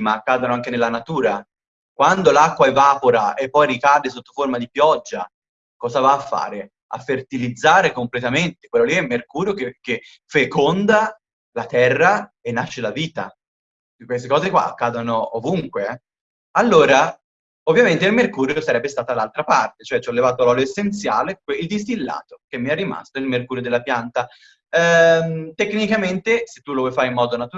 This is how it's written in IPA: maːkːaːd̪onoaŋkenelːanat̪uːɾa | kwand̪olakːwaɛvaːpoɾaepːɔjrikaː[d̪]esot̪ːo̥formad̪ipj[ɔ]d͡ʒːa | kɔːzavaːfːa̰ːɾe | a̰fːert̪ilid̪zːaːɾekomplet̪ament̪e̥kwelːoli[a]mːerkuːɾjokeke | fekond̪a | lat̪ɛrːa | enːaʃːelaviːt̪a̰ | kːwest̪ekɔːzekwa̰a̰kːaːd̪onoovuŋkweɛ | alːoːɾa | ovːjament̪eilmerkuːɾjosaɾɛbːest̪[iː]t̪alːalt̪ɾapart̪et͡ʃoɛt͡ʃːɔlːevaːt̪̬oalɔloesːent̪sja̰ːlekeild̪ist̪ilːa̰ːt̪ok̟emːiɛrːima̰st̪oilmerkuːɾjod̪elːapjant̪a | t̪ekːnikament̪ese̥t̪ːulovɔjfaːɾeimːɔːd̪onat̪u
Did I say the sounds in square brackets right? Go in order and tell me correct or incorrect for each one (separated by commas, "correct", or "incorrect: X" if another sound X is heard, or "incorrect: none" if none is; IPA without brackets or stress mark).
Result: correct, correct, incorrect: ɛ, incorrect: aː